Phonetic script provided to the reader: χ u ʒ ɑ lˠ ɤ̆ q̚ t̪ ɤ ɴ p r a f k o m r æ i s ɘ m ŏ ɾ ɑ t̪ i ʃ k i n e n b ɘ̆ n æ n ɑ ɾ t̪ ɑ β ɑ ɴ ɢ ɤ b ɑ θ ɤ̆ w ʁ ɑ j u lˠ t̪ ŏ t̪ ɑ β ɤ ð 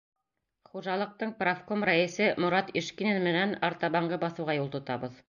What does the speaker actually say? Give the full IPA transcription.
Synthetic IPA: χ u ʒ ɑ lˠ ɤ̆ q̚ t̪ ɤ ɴ p r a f k o m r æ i s ɘ m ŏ ɾ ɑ t̪ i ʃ k i n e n m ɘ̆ n æ n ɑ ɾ t̪ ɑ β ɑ ɴ ɢ ɤ b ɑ θ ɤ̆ w ʁ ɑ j u lˠ t̪ ŏ t̪ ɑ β ɤ ð